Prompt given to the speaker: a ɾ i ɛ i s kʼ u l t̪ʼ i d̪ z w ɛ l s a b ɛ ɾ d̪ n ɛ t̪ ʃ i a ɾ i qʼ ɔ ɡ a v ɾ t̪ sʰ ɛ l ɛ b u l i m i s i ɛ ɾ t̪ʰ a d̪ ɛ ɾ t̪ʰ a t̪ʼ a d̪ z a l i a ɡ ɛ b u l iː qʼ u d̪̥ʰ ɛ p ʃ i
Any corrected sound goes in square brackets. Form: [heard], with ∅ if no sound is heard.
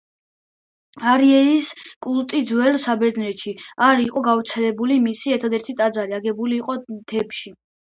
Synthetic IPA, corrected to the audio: a ɾ i ɛ i s kʼ u l t̪ʼ i d̪ z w ɛ l s a b ɛ ɾ d̪ n ɛ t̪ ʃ i a ɾ i qʼ ɔ ɡ a v ɾ t̪ sʰ ɛ l ɛ b u l i m i s i ɛ ɾ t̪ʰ a d̪ ɛ ɾ t̪ʰ [i] t̪ʼ a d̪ z a [ɾ] i a ɡ ɛ b u l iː qʼ [ɔ] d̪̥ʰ ɛ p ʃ i